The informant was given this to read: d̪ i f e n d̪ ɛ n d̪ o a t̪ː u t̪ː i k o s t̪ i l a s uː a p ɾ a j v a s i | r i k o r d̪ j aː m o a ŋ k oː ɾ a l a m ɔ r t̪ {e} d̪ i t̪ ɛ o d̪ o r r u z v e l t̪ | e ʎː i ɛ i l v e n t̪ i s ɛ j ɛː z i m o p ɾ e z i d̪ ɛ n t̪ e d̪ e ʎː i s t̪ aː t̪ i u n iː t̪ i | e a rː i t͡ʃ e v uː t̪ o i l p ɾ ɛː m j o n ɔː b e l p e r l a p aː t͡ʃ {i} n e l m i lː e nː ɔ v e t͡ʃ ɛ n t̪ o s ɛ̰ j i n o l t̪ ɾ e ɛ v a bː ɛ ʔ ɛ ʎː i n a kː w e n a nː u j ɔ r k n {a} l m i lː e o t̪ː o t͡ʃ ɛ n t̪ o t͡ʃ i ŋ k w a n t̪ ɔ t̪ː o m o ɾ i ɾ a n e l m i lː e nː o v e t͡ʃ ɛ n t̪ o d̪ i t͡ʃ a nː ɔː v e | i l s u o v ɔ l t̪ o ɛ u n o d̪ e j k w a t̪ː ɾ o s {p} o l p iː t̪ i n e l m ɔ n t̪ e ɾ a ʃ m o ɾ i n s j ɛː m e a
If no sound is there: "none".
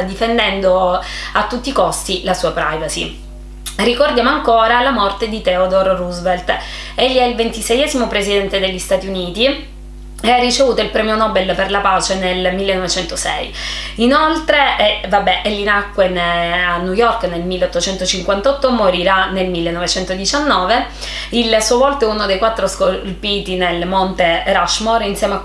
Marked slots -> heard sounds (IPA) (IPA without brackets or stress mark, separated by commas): e, e, e, k